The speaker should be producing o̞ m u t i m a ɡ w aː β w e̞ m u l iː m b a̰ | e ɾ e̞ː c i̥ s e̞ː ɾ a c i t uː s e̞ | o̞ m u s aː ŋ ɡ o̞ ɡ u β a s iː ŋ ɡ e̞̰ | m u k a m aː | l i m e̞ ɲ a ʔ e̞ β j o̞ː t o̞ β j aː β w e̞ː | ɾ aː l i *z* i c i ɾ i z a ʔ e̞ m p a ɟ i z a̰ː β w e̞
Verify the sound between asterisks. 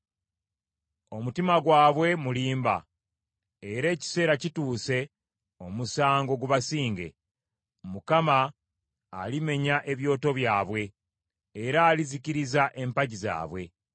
correct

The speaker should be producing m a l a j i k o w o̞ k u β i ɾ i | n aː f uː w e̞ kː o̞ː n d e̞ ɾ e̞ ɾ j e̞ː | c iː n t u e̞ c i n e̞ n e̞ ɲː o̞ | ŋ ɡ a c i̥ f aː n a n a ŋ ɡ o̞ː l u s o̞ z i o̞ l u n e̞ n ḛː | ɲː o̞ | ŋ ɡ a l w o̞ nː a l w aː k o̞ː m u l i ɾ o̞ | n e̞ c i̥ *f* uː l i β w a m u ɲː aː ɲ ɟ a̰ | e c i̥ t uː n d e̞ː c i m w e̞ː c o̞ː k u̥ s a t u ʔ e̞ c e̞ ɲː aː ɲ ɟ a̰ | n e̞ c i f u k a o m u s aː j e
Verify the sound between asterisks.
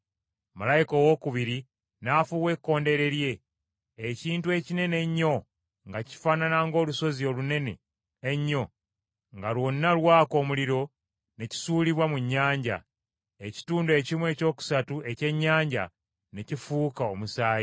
incorrect: s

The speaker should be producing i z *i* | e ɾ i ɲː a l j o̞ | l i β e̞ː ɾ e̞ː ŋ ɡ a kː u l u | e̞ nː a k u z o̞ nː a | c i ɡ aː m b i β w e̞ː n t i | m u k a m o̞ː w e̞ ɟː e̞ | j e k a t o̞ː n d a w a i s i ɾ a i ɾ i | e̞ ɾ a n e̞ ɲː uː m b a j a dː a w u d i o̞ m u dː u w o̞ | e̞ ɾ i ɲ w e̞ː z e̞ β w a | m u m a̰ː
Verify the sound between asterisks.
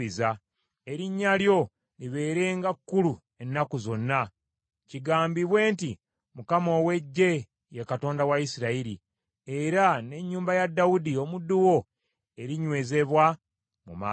incorrect: a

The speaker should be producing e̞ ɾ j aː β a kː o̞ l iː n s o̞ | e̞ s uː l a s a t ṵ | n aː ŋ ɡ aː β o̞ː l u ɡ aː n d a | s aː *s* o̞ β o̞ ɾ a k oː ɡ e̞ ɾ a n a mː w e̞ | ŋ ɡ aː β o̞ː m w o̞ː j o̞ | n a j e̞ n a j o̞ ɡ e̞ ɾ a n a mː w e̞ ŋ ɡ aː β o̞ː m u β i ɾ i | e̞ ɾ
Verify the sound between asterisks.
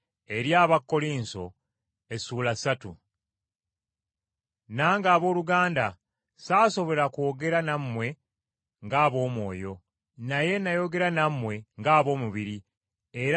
correct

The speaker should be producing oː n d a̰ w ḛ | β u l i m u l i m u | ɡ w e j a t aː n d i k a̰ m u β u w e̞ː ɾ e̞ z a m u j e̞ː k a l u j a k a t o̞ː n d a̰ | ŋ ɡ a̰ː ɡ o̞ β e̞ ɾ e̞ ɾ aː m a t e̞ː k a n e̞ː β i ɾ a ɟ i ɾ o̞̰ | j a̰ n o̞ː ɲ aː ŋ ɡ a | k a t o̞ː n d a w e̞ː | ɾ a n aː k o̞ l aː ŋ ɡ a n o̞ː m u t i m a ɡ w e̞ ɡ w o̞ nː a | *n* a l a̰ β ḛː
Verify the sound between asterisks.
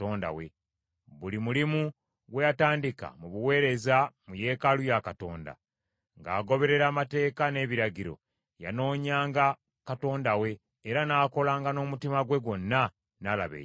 correct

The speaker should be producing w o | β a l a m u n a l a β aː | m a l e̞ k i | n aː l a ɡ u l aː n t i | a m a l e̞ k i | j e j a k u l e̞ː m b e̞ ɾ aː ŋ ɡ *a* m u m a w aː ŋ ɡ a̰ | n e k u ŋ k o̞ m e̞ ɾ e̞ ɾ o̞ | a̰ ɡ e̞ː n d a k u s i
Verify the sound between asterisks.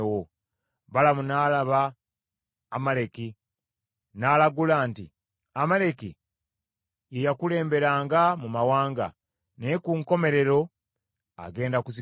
correct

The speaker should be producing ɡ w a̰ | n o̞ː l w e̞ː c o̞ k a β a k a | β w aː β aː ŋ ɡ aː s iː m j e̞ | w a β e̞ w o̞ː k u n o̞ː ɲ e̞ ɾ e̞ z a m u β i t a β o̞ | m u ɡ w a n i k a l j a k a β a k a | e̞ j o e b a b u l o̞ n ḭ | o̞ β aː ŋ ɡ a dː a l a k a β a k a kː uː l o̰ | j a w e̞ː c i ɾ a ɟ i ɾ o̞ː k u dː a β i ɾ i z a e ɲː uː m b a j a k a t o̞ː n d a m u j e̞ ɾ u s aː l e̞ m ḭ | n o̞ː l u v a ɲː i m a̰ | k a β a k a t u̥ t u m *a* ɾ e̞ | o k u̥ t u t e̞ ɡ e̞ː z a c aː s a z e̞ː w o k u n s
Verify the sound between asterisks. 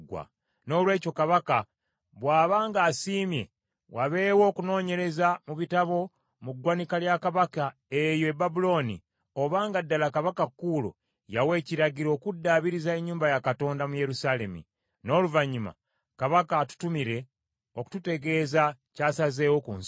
incorrect: i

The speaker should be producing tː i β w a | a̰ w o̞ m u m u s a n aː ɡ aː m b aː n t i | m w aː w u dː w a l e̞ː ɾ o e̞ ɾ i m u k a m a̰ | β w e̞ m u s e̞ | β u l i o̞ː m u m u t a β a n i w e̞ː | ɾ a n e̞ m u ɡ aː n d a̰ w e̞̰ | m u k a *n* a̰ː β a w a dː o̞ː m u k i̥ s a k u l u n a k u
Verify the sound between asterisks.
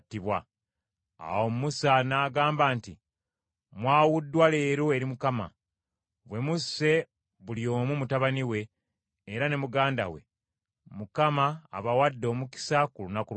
incorrect: m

